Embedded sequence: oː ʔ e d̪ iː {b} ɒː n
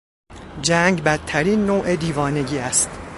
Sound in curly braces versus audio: incorrect: v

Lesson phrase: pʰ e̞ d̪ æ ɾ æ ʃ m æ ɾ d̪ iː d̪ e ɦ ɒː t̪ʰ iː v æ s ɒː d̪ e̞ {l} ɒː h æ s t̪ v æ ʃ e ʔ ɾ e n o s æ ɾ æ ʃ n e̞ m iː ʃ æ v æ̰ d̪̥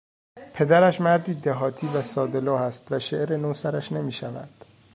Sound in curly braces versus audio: correct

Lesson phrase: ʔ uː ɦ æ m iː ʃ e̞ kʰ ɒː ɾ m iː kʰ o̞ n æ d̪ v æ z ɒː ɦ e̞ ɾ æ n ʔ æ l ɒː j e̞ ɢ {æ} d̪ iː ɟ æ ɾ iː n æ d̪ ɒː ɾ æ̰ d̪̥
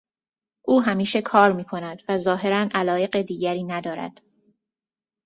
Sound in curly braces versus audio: incorrect: e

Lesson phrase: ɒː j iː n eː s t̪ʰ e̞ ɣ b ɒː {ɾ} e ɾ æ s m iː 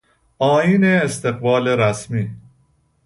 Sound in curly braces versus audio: incorrect: l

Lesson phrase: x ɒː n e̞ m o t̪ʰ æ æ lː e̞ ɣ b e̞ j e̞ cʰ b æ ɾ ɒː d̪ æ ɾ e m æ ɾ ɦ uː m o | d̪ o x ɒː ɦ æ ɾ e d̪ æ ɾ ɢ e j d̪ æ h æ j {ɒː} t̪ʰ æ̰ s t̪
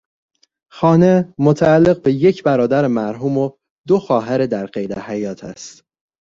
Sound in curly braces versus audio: correct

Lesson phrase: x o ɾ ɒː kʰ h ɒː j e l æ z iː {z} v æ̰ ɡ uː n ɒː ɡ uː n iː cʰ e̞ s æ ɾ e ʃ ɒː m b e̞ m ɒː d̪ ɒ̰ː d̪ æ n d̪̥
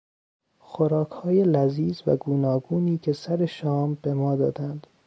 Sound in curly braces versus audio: correct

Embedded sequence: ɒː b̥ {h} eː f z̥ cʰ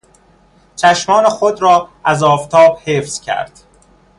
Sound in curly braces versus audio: correct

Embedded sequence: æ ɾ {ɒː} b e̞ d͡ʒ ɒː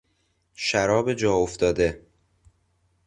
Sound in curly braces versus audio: correct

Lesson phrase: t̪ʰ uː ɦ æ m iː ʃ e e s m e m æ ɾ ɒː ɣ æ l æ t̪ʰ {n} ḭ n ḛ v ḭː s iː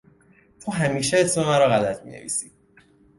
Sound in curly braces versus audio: incorrect: m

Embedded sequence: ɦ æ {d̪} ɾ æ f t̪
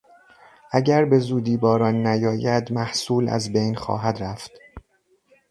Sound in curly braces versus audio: correct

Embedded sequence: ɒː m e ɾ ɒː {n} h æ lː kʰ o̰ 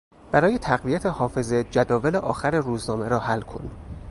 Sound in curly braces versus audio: incorrect: none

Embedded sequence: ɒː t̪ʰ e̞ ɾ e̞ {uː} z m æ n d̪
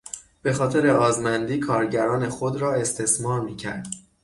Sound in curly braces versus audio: incorrect: ɒː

